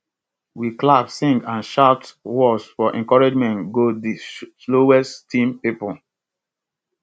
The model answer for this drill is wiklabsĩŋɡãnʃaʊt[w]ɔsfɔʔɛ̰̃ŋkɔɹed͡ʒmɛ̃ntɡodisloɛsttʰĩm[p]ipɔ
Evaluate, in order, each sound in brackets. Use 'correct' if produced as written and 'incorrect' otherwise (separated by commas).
correct, correct